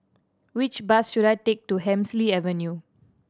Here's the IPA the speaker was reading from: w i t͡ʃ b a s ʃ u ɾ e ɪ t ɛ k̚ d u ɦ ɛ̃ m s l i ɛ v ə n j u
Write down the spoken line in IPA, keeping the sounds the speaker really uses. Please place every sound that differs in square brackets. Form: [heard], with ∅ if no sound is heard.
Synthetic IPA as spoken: w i t͡ʃ b a s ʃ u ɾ [a] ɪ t [e] k̚ [t] u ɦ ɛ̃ m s l i ɛ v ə n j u